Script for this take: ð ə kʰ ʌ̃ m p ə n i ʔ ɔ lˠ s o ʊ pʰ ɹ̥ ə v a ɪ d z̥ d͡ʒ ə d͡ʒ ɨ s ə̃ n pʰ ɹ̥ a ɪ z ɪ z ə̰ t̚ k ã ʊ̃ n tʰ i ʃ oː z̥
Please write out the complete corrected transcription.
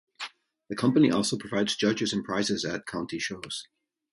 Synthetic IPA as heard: ð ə kʰ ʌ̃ m p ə n i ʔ ɔ lˠ s o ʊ pʰ ɹ̥ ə v a ɪ d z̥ d͡ʒ ʌ d͡ʒ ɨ z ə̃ n pʰ ɹ̥ a ɪ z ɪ z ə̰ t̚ kʰ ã ʊ̃ n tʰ i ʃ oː z̥